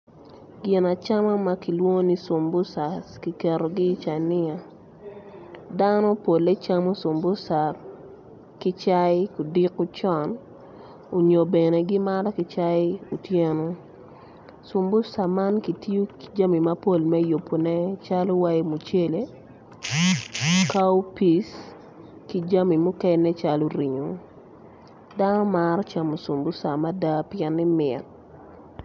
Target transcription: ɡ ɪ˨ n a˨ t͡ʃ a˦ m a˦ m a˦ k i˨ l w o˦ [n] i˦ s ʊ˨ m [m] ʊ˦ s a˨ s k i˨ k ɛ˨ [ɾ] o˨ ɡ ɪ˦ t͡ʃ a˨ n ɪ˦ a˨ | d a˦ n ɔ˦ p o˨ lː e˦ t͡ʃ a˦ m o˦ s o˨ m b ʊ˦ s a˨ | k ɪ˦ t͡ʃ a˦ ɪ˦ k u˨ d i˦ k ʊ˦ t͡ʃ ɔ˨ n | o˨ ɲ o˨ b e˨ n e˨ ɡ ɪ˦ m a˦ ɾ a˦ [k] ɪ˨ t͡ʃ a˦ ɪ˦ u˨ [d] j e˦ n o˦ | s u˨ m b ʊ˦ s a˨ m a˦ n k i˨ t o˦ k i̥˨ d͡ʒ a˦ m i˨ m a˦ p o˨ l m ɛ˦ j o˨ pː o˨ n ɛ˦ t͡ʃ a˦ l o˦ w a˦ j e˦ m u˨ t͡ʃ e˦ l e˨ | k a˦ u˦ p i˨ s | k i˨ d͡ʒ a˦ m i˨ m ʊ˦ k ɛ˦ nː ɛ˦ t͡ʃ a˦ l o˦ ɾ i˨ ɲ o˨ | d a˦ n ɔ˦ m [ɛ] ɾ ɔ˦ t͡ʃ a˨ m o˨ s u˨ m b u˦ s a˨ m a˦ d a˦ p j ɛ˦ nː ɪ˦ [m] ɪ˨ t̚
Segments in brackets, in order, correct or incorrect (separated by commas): correct, incorrect, correct, correct, incorrect, incorrect, correct